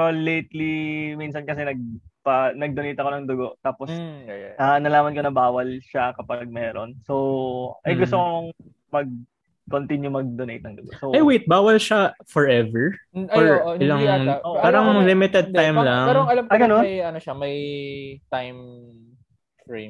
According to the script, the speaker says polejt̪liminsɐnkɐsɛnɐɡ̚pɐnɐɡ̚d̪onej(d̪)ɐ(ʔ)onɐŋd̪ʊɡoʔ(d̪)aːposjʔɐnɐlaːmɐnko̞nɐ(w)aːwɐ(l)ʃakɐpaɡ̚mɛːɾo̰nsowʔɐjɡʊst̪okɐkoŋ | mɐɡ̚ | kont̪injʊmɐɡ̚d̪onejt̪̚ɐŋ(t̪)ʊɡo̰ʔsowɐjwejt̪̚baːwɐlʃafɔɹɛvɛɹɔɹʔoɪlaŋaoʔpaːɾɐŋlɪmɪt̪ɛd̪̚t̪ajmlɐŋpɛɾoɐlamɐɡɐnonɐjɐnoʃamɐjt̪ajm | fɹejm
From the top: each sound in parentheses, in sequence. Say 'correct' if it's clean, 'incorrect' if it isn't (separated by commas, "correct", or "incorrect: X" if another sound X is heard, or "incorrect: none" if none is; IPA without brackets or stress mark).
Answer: incorrect: t̪, incorrect: k, incorrect: t̪, incorrect: b, correct, incorrect: d̪